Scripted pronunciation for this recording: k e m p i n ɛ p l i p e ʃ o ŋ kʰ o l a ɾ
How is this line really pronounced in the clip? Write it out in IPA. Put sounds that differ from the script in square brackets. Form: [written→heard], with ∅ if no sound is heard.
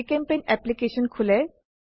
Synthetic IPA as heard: k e m p [i→e] n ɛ p l i [p→k] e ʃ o [ŋ→n] kʰ [o→u] l [a→e] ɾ